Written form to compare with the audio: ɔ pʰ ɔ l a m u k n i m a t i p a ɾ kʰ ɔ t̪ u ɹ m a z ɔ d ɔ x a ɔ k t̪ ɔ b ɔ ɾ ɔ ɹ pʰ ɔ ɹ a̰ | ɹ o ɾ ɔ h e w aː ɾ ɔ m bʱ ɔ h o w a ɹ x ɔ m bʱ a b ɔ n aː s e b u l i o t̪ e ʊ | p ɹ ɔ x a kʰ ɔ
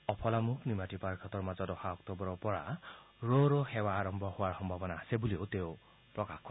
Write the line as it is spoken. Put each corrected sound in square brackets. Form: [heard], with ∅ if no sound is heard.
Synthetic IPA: ɔ pʰ ɔ l a m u k n i m a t i p a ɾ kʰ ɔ t̪ [ɔ] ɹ m a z ɔ d ɔ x a ɔ k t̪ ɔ b ɔ ɾ ɔ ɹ [p] ɔ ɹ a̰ | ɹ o ɾ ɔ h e w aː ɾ ɔ m bʱ ɔ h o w a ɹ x ɔ m bʱ a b ɔ n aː s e b u l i o t̪ e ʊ | p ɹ ɔ [k] a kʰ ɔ

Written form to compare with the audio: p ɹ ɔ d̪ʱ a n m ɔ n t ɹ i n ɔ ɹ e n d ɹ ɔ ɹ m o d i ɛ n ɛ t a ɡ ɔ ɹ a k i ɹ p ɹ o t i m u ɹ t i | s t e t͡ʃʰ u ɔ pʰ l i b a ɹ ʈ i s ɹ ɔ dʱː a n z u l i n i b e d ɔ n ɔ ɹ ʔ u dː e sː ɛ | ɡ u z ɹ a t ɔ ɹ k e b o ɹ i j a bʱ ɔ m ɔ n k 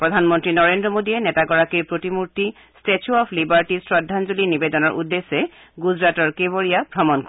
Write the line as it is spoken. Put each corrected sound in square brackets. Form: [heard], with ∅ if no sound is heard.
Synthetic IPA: p ɹ ɔ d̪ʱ a n m ɔ n t ɹ i n ɔ ɹ e n d ɹ ɔ [∅] m o d i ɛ n ɛ t a ɡ ɔ ɹ a k i ɹ p ɹ o t i m u ɹ t i | s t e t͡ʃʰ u ɔ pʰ l i b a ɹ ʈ i s ɹ ɔ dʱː a n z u l i n i b e d ɔ n ɔ ɹ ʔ u dː e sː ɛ | ɡ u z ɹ a t ɔ ɹ k e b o ɹ i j a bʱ ɔ m ɔ n k

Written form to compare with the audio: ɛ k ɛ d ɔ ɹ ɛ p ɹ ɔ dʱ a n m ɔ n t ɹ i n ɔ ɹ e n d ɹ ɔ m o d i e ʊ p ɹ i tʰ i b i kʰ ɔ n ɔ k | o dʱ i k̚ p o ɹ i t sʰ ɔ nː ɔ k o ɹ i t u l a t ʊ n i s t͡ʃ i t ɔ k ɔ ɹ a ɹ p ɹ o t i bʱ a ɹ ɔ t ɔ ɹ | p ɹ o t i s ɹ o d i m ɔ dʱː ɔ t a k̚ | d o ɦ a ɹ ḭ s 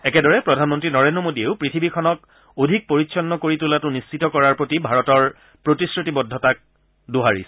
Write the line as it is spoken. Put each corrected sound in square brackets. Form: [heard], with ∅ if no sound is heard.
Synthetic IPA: ɛ k ɛ d ɔ ɹ ɛ p ɹ ɔ dʱ a n m ɔ n t ɹ i n ɔ ɹ e n d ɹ ɔ m o d i e ʊ p ɹ i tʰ i b i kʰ ɔ n ɔ k | o dʱ i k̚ p o ɹ i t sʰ ɔ nː ɔ k o ɹ i t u l a t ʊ n i s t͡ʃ i t ɔ k ɔ ɹ a ɹ p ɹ o t i bʱ a ɹ ɔ t ɔ ɹ | p ɹ o t i s ɹ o [t] i [b] ɔ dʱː ɔ t a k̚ | d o ɦ a ɹ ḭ s

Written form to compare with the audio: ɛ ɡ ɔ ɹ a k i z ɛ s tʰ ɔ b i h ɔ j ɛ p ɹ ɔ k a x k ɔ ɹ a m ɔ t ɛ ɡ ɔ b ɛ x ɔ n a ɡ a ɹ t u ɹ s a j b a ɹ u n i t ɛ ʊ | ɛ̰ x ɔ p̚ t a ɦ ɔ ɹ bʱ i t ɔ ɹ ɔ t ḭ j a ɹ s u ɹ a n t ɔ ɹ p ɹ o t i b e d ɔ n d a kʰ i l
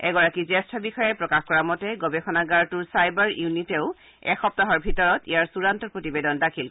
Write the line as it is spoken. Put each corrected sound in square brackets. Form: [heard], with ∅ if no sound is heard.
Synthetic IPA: ɛ ɡ ɔ ɹ a k i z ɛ s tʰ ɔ b i [x] ɔ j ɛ p ɹ ɔ k a x k ɔ ɹ a m ɔ t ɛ ɡ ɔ b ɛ x ɔ n a ɡ a ɹ t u ɹ s a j b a ɹ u n i t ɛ ʊ | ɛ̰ x ɔ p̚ t a ɦ ɔ ɹ bʱ i t ɔ ɹ ɔ t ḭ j a ɹ s u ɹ a n t ɔ ɹ p ɹ o t i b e d ɔ n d a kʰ i l

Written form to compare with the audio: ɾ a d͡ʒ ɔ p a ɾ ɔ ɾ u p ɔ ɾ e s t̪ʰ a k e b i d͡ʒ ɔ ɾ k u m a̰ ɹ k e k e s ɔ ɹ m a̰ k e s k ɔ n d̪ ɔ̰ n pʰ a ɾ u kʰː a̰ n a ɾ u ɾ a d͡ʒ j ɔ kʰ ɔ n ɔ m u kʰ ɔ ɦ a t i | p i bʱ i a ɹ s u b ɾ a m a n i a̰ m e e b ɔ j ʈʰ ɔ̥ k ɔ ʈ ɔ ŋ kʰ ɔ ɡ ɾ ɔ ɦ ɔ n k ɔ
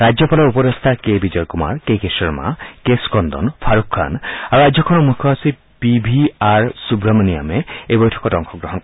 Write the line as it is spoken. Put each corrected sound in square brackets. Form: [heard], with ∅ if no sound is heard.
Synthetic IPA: ɾ a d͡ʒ ɔ p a [l] ɔ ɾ u p ɔ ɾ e s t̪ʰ a k e b i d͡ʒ ɔ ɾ k u m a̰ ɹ k e k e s ɔ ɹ m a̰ k e s k ɔ n d̪ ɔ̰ n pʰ a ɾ u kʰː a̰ n a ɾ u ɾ a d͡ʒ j ɔ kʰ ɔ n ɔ m u kʰ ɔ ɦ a [s] i | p i bʱ i a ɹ s u b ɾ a m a n i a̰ m e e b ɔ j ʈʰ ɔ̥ k ɔ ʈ ɔ ŋ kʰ ɔ ɡ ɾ ɔ ɦ ɔ n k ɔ

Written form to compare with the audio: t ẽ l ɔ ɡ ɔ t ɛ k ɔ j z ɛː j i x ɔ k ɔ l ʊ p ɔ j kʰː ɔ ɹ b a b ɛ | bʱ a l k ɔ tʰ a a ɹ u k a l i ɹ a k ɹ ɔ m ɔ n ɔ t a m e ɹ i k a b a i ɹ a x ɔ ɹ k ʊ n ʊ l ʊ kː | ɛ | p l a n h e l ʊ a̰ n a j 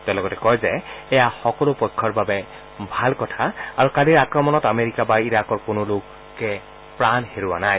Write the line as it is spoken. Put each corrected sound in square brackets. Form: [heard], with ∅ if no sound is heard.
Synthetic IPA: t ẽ l ɔ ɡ ɔ t ɛ k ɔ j z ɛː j [a] x ɔ k ɔ l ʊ p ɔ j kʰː ɔ ɹ b a b ɛ | bʱ a l k ɔ tʰ a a ɹ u k a l i ɹ a k ɹ ɔ m ɔ n ɔ t a m e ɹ i k a b a i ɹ a [k] ɔ ɹ k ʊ n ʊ l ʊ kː | ɛ | p [ɹ] a n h e [ɹ] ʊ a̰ n a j

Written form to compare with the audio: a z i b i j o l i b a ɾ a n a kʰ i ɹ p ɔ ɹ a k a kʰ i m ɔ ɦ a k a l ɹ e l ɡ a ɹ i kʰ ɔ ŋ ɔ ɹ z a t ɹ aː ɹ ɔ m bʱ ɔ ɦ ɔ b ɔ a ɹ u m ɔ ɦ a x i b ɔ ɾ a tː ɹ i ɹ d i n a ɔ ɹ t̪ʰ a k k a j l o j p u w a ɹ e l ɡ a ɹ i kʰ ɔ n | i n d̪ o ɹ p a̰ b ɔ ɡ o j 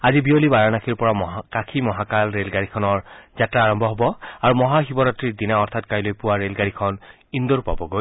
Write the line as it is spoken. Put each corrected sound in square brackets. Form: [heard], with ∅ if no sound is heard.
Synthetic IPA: a z i b i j o l i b a [ɹ] a n a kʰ i ɹ p ɔ ɹ a k a kʰ i m ɔ ɦ a k a l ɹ e l ɡ a ɹ i kʰ ɔ [n] ɔ ɹ z a t ɹ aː ɹ ɔ m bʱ ɔ ɦ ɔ b ɔ a ɹ u m ɔ ɦ a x i b ɔ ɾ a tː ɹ i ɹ d i n a ɔ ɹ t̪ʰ a [t] k a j l o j p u w a ɹ e l ɡ a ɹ i kʰ ɔ n | i n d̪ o ɹ p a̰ b ɔ ɡ o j

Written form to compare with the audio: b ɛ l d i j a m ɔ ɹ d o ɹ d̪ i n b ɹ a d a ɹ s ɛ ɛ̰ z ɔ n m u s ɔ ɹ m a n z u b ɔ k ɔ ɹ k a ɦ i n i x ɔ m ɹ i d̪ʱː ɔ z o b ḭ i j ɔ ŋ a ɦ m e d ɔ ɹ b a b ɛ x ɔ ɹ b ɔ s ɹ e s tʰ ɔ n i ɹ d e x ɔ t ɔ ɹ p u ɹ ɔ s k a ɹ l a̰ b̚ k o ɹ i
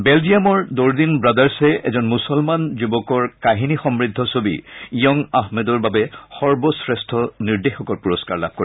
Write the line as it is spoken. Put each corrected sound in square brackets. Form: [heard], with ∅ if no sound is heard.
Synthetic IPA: b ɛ l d i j a m ɔ ɹ d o ɹ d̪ i n b ɹ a d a ɹ s ɛ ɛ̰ z ɔ n m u s ɔ [l] m a n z u b ɔ k ɔ ɹ k a ɦ i n i x ɔ m ɹ i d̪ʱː ɔ [s] o b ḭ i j ɔ ŋ a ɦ m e d ɔ ɹ b a b ɛ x ɔ ɹ b ɔ s ɹ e s tʰ ɔ n i ɹ d e x ɔ [k] ɔ ɹ p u ɹ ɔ s k a ɹ l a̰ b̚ k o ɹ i

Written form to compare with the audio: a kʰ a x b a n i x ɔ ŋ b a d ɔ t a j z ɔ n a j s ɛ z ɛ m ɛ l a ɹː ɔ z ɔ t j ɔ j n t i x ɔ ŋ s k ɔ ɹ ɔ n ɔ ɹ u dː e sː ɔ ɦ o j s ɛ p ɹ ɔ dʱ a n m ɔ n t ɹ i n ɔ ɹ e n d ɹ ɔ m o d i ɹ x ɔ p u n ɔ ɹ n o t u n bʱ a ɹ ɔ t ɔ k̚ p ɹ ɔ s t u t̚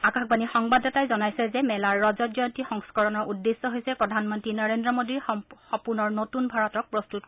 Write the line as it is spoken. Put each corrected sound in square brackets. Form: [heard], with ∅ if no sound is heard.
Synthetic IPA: a [k] a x b a n i x ɔ ŋ b a d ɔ t a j z ɔ n a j s ɛ z ɛ m ɛ l a ɹː ɔ z ɔ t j ɔ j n t i x ɔ ŋ s k ɔ ɹ ɔ n ɔ ɹ u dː e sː ɔ ɦ o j s ɛ p ɹ ɔ dʱ a n m ɔ n t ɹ i n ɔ ɹ e n d ɹ ɔ m o d i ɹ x ɔ p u n ɔ ɹ n o t u n bʱ a ɹ ɔ t ɔ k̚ p ɹ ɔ s t u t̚

